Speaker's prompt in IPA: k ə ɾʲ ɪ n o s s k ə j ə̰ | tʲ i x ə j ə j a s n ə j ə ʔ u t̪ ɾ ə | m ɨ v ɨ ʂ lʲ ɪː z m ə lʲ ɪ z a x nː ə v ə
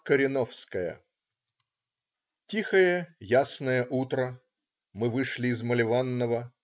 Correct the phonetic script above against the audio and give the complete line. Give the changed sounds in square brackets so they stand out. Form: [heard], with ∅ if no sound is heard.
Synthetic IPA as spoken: k ə ɾʲ ɪ n o [f] s k ə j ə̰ | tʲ i x ə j ə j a s n ə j ə ʔ u t̪ ɾ ə | m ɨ v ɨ ʂ lʲ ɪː z m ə lʲ ɪ [v] a [∅] nː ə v ə

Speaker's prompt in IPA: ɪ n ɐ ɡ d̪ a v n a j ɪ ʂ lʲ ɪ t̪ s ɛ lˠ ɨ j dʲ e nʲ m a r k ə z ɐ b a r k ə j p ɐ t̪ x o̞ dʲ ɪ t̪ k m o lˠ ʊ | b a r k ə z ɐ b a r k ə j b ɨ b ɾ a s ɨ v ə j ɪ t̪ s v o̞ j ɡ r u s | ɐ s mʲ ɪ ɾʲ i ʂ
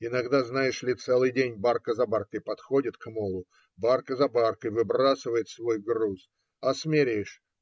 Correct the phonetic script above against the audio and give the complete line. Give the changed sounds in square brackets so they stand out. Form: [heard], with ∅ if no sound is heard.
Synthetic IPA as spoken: ɪ n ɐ ɡ d̪ a [z] n a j ɪ ʂ lʲ ɪ t̪ s ɛ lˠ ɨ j dʲ e nʲ [b] a r k ə z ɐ b a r k ə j p ɐ t̪ x o̞ dʲ ɪ t̪ k m o lˠ ʊ | b a r k ə z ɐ b a r k ə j [v] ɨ b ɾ a s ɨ v ə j ɪ t̪ s v o̞ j ɡ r u s | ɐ s mʲ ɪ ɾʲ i ʂ

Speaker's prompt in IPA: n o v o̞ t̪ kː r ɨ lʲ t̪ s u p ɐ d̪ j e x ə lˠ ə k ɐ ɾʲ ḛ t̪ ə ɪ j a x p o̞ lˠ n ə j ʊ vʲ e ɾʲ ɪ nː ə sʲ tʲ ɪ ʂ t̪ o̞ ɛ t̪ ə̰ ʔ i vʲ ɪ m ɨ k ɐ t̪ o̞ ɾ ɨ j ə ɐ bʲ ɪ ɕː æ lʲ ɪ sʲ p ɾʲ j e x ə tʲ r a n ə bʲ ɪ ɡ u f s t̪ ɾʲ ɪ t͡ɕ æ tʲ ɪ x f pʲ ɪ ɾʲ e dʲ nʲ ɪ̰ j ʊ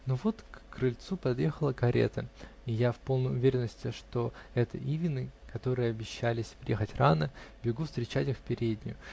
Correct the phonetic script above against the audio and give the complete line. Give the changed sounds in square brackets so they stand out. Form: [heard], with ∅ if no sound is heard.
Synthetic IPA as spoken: n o v o̞ t̪ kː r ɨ lʲ t̪ s u p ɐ d̪ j e x ə lˠ ə k ɐ ɾʲ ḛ t̪ ə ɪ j a [f] p o̞ lˠ n ə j ʊ vʲ e ɾʲ ɪ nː ə sʲ tʲ ɪ ʂ t̪ o̞ ɛ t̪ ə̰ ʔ i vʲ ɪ [n] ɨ k ɐ t̪ o̞ ɾ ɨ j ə ɐ bʲ ɪ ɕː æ lʲ ɪ sʲ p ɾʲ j e x ə tʲ r a n ə bʲ ɪ ɡ u f s t̪ ɾʲ ɪ t͡ɕ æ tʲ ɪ x f pʲ ɪ ɾʲ e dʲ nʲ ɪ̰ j ʊ

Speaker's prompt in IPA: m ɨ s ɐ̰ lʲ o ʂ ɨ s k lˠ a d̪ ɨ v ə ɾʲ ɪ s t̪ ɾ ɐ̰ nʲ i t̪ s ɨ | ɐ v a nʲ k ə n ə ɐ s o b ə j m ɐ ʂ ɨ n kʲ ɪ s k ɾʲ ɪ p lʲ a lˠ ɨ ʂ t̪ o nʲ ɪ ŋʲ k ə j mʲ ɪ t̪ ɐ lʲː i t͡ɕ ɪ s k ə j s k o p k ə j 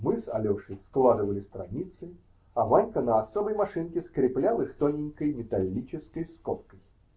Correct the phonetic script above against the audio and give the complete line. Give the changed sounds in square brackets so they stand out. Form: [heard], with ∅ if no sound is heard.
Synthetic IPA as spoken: m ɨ s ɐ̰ lʲ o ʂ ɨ s k lˠ a d̪ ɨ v ə [lʲ] ɪ s t̪ ɾ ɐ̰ nʲ i t̪ s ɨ | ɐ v a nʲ k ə n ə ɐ s o b ə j m ɐ ʂ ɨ n kʲ ɪ s k ɾʲ ɪ p lʲ a lˠ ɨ [x] t̪ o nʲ ɪ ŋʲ k ə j mʲ ɪ t̪ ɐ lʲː i t͡ɕ ɪ s k ə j s k o p k ə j

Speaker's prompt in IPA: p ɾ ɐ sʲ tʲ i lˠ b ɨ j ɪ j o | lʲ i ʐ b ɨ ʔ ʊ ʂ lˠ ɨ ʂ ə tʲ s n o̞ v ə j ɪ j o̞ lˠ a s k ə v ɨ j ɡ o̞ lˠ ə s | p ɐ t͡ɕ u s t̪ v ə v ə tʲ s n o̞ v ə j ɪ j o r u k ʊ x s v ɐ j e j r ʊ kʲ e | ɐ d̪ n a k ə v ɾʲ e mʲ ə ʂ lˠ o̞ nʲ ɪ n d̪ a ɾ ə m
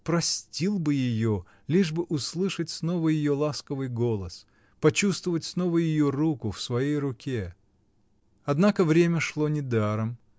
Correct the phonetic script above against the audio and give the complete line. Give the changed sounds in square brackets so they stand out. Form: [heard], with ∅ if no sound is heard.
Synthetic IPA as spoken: p ɾ ɐ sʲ tʲ i lˠ b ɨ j ɪ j o | lʲ i ʐ b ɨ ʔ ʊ [s] lˠ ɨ ʂ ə tʲ s n o̞ v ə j ɪ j o̞ lˠ a s k ə v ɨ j ɡ o̞ lˠ ə s | p ɐ t͡ɕ u s t̪ v ə v ə tʲ s n o̞ v ə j ɪ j o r u k ʊ [f] s v ɐ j e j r ʊ kʲ e | ɐ d̪ n a k ə v ɾʲ e mʲ ə ʂ lˠ o̞ nʲ ɪ [∅] d̪ a ɾ ə m

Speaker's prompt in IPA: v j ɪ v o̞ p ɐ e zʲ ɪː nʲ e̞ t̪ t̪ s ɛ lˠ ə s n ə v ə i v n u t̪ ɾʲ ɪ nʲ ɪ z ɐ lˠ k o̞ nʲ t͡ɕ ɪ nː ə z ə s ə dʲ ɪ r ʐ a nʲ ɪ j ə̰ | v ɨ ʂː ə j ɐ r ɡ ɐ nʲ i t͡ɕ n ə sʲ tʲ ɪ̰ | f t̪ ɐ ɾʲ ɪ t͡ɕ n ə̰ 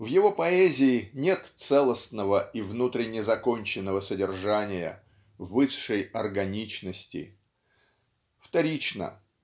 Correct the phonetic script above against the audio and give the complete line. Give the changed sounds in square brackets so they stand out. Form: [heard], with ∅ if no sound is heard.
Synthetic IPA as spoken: v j ɪ v o̞ p ɐ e zʲ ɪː nʲ e̞ t̪ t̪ s ɛ lˠ ə s n ə v ə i v n u t̪ ɾʲ ɪ nʲ ɪ z ɐ [∅] k o̞ nʲ t͡ɕ ɪ nː ə [v] ə s ə dʲ ɪ r ʐ a nʲ ɪ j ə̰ | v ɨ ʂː ə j ɐ r ɡ ɐ nʲ i t͡ɕ n ə sʲ tʲ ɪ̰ | f t̪ ɐ ɾʲ [i] t͡ɕ n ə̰

